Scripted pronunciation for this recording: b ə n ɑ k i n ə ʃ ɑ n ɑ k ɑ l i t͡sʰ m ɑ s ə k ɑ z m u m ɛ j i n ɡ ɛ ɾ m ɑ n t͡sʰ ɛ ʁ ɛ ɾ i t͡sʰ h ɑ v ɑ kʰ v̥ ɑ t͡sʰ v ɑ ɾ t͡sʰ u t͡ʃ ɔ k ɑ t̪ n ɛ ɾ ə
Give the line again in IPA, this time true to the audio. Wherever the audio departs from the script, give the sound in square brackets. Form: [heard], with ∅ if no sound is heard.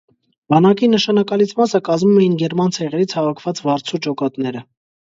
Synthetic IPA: b [ɑ] n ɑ k i n ə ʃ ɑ n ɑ k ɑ l i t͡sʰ m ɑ s ə k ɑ z m u m ɛ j i n ɡ ɛ ɾ m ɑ n t͡sʰ ɛ ʁ ɛ ɾ i t͡sʰ h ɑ v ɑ kʰ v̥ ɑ [t͡s] v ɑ ɾ t͡sʰ u t͡ʃ ɔ k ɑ t̪ n ɛ ɾ ə